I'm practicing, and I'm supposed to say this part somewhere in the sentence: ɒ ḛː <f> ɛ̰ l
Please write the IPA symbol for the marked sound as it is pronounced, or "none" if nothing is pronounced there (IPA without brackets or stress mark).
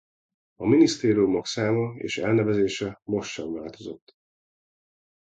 ʃ